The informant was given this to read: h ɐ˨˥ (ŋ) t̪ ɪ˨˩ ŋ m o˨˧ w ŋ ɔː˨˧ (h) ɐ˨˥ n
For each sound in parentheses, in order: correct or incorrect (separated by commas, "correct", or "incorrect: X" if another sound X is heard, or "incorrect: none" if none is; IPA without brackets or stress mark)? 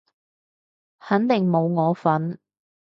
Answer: incorrect: n, incorrect: f